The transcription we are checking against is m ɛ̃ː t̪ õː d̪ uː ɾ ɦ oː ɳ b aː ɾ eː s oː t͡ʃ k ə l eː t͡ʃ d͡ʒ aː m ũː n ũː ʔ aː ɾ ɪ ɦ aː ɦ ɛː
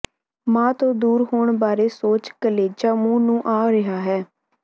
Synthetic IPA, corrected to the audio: m ãː t̪ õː d̪ uː ɾ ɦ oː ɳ b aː ɾ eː s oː t͡ʃ k ə l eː d͡ʒ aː m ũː n ũː ʔ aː ɾ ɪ ɦ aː ɦ ɛː